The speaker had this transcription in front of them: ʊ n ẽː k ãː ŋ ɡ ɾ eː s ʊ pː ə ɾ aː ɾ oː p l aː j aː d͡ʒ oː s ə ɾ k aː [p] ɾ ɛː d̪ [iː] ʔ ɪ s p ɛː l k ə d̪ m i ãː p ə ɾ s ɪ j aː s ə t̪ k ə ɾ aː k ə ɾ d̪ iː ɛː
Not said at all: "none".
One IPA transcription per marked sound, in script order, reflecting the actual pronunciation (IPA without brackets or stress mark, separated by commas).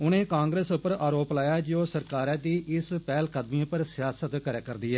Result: none, iː